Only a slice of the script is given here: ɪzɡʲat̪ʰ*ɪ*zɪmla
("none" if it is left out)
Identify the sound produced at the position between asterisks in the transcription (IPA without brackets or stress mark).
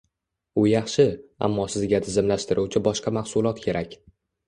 ɪ